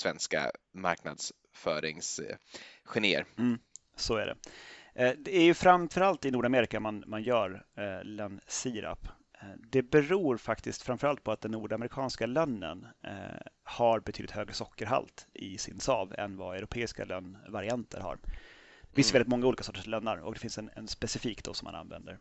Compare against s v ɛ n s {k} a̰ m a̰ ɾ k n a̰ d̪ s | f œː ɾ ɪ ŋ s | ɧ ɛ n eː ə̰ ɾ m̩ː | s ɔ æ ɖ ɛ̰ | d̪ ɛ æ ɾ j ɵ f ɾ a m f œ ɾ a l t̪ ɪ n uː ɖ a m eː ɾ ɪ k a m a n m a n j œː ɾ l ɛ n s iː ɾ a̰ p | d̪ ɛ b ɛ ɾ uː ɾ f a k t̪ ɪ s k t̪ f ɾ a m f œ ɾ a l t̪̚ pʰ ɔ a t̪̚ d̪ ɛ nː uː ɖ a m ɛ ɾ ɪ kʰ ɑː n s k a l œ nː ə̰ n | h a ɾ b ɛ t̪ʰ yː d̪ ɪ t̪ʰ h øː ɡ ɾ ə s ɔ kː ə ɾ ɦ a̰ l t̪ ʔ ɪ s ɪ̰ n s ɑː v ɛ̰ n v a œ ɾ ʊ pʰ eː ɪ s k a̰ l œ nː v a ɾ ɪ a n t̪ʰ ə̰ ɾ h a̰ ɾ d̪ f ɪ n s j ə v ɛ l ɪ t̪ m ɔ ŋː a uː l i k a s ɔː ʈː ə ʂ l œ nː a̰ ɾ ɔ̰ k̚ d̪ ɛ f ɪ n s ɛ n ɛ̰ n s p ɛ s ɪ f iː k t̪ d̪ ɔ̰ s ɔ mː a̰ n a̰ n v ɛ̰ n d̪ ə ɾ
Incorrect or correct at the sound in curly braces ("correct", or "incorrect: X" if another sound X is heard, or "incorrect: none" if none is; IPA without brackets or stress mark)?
correct